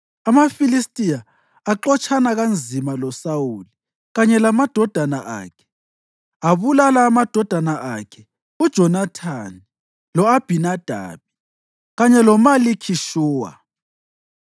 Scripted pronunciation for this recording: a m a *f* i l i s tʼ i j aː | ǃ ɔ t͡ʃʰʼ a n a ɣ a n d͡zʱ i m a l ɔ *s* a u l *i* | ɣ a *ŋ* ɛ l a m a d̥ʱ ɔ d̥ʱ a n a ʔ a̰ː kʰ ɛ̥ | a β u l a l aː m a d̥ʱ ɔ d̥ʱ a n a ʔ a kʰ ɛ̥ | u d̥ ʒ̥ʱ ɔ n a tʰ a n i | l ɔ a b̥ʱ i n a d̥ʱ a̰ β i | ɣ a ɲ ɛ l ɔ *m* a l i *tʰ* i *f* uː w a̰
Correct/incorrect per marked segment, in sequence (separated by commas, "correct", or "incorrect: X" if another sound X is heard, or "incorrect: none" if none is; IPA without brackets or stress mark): correct, correct, correct, incorrect: ɲ, correct, incorrect: kʰ, incorrect: ʃ